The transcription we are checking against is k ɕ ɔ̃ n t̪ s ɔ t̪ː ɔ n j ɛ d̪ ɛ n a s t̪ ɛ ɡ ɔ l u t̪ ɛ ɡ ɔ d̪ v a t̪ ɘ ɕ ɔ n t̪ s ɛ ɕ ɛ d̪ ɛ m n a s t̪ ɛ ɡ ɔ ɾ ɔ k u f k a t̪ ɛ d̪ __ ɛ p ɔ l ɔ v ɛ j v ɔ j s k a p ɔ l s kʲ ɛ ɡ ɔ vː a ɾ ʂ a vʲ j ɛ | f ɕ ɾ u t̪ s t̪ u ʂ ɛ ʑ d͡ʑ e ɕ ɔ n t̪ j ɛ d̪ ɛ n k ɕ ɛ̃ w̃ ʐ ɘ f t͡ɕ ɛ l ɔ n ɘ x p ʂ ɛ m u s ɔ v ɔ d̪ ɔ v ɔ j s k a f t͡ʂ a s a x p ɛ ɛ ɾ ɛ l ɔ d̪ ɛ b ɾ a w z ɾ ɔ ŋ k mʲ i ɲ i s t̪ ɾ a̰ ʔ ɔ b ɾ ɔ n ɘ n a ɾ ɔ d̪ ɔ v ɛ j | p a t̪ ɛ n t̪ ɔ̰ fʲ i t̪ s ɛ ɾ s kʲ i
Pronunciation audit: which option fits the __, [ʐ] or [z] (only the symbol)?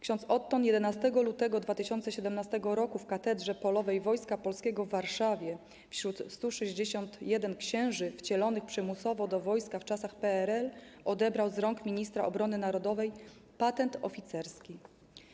ʐ